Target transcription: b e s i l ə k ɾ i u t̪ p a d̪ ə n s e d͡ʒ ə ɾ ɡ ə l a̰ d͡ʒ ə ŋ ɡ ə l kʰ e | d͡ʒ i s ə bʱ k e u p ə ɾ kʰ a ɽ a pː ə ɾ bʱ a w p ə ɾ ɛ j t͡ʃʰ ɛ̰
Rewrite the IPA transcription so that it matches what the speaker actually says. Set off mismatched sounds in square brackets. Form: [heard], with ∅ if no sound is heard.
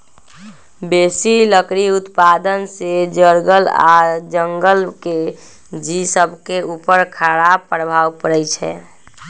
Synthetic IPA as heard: b e s i l ə k ɾ i u t̪ p a d̪ ə n s e d͡ʒ ə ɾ ɡ ə l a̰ d͡ʒ ə ŋ ɡ ə l [k] e | d͡ʒ i s ə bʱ k e u p ə ɾ kʰ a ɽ a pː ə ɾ bʱ a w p ə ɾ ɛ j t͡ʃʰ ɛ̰